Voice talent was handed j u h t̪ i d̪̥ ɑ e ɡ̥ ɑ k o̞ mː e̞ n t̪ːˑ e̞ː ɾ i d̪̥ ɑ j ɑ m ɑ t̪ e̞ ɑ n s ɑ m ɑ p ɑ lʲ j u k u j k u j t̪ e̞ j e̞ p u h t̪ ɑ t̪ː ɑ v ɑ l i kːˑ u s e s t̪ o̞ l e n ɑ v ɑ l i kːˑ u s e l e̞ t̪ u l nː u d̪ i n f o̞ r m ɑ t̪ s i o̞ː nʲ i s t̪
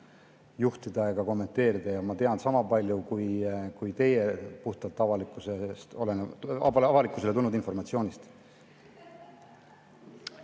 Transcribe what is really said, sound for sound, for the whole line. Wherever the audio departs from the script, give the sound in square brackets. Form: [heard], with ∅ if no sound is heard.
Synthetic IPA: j u h t̪ i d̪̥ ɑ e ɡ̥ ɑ k o̞ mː e̞ n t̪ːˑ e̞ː ɾ i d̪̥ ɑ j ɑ m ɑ t̪ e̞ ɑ n s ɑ m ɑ p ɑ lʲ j u k u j k u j t̪ e̞ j e̞ p u h t̪ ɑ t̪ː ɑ v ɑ l i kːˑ u s e s t̪ o̞ l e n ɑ v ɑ l i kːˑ u s e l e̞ t̪ u l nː u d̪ i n f o̞ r m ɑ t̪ s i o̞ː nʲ i s t̪